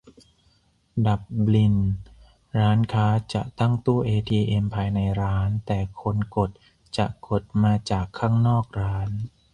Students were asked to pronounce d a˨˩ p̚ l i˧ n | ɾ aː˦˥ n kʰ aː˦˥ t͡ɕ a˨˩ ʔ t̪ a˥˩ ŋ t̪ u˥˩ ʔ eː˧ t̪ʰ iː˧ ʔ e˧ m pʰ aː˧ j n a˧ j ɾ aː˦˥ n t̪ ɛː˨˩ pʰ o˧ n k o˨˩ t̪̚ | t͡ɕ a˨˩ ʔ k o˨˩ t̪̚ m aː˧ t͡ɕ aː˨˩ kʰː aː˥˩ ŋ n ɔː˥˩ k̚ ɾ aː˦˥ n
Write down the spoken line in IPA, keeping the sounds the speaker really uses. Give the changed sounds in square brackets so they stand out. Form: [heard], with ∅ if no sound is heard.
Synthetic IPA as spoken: d a˨˩ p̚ l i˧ n | ɾ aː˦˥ n kʰ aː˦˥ t͡ɕ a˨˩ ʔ t̪ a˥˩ ŋ t̪ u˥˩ ʔ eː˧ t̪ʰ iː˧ ʔ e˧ m pʰ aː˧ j n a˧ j ɾ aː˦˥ n t̪ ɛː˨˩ [kʰ] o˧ n k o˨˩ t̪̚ | t͡ɕ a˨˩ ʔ k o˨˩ t̪̚ m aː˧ t͡ɕ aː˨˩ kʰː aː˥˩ ŋ n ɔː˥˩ k̚ ɾ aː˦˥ n

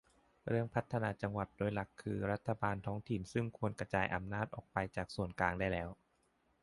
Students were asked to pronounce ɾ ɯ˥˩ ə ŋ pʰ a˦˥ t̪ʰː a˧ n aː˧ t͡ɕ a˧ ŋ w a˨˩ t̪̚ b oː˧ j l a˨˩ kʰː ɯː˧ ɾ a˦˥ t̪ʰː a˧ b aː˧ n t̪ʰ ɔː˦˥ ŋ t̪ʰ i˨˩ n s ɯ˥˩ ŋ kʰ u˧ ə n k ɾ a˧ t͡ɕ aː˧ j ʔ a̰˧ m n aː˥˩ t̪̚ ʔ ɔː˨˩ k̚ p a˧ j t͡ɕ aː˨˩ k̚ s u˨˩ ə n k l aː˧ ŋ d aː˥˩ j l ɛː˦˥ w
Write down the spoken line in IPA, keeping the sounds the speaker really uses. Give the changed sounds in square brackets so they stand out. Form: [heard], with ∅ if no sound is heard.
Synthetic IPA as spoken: ɾ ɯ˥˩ ə ŋ pʰ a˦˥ t̪ʰː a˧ n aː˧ t͡ɕ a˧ ŋ w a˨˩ t̪̚ [d] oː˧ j l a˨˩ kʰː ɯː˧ ɾ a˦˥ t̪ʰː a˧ b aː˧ n t̪ʰ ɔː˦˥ ŋ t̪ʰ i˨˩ n s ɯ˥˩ ŋ kʰ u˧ ə n k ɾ a˧ t͡ɕ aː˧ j ʔ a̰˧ m n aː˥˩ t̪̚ ʔ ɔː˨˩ k̚ p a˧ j t͡ɕ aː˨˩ k̚ s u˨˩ ə n k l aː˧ ŋ d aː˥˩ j l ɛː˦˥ w

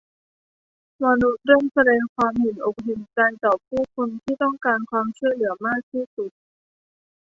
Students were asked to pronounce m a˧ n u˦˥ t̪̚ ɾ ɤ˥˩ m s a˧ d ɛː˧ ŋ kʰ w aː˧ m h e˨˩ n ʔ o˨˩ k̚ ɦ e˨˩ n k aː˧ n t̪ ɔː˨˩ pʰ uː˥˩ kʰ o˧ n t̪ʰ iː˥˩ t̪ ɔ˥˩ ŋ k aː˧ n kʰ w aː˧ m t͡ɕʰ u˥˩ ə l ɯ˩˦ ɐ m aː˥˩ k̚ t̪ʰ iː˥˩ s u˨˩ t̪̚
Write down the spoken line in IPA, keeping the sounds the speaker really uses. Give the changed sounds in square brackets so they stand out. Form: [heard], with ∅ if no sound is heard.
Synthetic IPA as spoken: m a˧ n u˦˥ t̪̚ ɾ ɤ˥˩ m s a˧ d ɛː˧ ŋ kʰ w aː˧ m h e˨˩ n ʔ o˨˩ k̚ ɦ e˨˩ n k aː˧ n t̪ ɔː˨˩ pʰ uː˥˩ kʰ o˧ n t̪ʰ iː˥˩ t̪ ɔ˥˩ ŋ k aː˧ n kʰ w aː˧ m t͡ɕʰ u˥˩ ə l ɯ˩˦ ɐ m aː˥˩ k̚ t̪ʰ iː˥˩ s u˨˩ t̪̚

